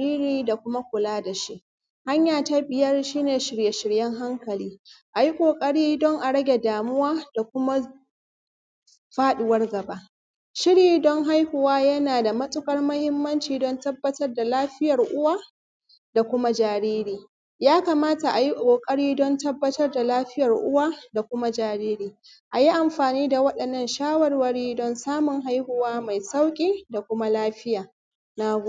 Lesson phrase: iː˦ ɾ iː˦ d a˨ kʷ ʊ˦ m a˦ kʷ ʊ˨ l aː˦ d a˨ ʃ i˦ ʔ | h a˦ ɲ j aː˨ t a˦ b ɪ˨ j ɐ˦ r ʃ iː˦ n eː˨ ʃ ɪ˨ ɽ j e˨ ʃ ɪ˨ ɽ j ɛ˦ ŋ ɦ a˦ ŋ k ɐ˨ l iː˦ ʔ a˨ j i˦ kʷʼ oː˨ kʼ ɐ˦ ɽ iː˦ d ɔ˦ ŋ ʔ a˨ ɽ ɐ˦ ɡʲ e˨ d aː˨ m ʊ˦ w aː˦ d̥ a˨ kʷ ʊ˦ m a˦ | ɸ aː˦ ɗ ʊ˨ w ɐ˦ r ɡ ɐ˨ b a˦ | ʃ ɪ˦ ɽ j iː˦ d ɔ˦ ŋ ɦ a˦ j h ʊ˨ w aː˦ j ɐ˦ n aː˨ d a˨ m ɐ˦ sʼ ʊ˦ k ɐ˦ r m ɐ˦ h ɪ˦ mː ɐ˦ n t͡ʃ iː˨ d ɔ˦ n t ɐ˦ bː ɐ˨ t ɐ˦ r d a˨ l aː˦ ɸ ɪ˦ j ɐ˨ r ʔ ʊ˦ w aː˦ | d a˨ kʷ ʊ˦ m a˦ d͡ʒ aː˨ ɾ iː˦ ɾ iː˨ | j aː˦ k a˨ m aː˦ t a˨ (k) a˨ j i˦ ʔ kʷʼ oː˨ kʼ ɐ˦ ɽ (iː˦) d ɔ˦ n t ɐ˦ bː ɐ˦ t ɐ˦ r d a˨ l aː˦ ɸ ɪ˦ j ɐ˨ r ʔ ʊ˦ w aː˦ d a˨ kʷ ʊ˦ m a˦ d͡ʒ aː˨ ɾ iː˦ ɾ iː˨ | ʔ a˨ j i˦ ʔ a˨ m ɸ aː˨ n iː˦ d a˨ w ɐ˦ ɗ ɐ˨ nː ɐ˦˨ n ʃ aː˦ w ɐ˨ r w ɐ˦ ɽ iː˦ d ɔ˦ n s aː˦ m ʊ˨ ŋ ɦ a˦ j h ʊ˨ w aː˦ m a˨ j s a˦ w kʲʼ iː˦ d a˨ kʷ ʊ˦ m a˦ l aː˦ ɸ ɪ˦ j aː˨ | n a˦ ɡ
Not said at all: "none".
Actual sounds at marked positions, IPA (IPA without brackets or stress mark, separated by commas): ʔ, iː˦